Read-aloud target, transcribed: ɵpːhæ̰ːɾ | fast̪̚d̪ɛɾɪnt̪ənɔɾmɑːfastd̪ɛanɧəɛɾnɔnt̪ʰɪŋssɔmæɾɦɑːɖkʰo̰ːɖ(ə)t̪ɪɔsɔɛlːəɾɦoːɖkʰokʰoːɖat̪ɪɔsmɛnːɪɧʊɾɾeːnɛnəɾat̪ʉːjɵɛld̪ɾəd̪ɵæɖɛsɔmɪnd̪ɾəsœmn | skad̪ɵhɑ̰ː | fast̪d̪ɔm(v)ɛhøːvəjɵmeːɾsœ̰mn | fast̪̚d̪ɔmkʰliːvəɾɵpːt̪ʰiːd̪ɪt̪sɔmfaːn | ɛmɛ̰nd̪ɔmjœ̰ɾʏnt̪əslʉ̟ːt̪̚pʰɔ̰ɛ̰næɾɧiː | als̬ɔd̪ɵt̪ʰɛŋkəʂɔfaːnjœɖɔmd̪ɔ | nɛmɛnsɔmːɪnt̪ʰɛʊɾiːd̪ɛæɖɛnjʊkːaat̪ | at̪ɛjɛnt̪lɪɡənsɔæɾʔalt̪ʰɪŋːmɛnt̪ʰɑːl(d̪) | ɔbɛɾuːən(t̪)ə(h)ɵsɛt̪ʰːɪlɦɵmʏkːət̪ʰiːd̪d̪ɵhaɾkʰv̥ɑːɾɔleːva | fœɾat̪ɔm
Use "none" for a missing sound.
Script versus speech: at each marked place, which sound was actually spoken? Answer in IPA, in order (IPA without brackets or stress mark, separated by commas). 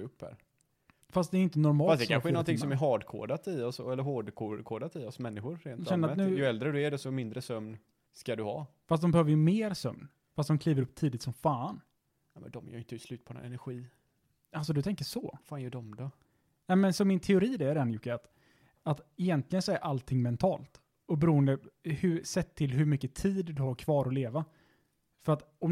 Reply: a, b, t̪, d̪, h